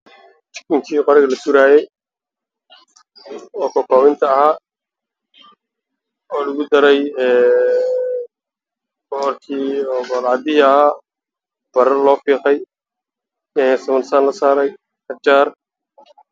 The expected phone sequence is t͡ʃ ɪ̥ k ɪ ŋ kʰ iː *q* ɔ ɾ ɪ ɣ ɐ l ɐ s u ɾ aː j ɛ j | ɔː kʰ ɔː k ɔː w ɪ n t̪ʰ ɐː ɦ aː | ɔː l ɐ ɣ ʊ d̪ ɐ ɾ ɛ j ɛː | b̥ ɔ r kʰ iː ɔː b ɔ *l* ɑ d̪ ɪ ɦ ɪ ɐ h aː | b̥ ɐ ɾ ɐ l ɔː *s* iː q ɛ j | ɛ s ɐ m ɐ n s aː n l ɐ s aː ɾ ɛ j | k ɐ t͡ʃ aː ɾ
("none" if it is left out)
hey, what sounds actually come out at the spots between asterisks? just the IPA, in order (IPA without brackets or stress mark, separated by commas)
q, l, f